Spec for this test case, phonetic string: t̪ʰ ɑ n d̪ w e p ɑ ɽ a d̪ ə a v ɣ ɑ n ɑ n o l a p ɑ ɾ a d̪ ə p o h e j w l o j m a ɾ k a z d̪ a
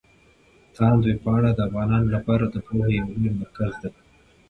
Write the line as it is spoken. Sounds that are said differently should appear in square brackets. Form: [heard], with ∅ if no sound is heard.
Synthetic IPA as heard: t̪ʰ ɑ n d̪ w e p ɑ ɽ a d̪ ə a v ɣ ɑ n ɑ n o l a p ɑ ɾ a d̪ ə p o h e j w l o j m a ɾ k a z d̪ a